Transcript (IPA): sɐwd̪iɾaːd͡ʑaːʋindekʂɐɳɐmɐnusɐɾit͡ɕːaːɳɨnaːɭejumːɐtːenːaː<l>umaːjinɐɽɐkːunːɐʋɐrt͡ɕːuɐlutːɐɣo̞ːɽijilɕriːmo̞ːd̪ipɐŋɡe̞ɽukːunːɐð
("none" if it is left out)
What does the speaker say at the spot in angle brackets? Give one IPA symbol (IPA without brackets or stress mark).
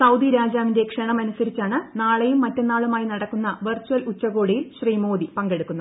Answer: ɭ